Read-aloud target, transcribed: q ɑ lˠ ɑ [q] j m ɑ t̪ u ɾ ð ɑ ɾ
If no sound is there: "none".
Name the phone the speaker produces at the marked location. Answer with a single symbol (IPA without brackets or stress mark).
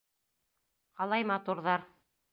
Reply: none